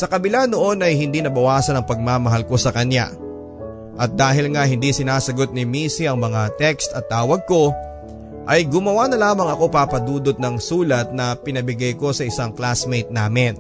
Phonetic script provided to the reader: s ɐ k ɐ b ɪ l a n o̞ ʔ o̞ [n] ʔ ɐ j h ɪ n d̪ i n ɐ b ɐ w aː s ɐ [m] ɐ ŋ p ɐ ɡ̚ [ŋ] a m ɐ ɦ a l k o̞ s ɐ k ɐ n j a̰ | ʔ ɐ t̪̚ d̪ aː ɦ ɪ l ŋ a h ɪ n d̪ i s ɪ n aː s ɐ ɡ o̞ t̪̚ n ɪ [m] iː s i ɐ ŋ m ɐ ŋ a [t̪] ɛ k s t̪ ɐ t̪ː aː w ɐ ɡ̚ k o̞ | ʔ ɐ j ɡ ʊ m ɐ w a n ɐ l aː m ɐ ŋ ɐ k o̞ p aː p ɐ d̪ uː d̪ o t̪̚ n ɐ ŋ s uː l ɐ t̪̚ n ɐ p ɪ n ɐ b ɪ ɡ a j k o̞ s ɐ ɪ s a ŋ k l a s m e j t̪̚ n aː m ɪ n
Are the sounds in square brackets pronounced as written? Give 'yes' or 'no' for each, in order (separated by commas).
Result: yes, no, no, yes, yes